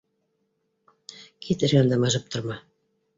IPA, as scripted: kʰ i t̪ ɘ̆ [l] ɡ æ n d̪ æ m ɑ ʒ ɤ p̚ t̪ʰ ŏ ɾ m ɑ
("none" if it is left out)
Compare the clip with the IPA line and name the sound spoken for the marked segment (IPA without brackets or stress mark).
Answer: ɾ